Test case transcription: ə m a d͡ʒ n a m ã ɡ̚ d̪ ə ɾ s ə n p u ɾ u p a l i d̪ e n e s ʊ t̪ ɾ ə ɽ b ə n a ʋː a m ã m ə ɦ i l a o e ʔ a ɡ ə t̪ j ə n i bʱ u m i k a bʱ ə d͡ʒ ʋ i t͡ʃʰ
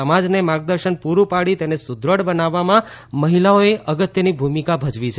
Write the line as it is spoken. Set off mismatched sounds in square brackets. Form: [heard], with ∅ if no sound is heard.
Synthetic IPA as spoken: ə m a d͡ʒ n [e] m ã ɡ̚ d̪ ə ɾ [ʃ] ə n p u ɾ u p a [ɽ] i [t̪] e n e s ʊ [d̪] ɾ ə ɽ b ə n a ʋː a m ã m ə ɦ i l a o e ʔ [ə] ɡ ə t̪ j ə n i bʱ u m i k a bʱ ə d͡ʒ ʋ i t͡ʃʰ